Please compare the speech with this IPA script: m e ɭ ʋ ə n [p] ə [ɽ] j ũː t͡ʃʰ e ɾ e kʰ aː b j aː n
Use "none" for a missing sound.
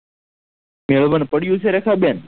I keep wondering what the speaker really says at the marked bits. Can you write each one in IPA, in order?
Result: p, ɽ

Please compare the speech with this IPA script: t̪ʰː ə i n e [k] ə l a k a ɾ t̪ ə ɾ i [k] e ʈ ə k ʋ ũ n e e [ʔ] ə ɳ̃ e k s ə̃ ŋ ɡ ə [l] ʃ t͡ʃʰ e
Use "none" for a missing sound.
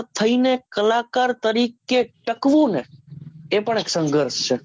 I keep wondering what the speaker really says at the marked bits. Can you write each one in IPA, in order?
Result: k, k, p, ɾ

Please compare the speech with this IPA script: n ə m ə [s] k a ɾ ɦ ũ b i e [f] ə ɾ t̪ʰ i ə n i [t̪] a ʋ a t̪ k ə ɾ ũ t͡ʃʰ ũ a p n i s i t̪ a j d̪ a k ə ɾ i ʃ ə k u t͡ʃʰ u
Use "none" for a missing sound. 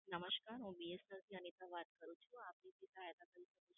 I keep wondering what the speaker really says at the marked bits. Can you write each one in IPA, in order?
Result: ʃ, s, t̪

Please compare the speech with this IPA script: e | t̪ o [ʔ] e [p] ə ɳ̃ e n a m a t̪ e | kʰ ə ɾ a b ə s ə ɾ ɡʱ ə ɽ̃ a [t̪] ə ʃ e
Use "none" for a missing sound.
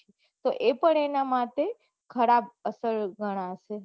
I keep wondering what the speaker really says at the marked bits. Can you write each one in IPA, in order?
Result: ʔ, p, none

